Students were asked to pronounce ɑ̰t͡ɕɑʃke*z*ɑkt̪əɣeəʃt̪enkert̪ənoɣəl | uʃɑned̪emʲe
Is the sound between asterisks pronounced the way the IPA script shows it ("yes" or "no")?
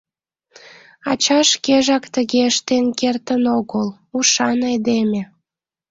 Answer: no